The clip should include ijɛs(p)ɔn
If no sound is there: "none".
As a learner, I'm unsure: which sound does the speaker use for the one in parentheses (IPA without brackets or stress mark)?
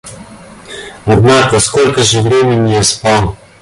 p